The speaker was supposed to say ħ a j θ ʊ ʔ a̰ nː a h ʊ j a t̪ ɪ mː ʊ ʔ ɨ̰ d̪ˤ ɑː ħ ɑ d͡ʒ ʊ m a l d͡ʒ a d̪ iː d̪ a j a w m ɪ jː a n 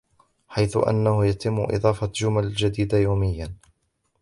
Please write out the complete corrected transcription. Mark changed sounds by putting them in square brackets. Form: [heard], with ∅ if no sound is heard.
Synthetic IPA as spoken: ħ a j θ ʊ ʔ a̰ nː a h ʊ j a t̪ ɪ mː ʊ ʔ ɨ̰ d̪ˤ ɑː [f] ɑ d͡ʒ ʊ m a l d͡ʒ a d̪ iː d̪ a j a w m ɪ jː a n